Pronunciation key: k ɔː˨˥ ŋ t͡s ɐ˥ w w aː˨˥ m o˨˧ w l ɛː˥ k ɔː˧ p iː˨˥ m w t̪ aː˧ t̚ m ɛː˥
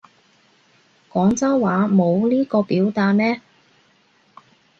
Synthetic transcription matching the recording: k ɔː˨˥ ŋ t͡s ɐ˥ w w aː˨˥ m o˨˧ w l iː˥ k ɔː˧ p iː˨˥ w t̪ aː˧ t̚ m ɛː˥